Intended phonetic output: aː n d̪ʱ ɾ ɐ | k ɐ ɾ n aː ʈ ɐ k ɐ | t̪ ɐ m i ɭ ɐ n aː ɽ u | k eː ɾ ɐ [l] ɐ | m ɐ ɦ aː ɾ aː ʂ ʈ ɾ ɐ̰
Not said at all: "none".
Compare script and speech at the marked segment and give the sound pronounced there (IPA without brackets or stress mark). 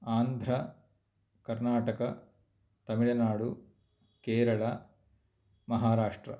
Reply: ɭ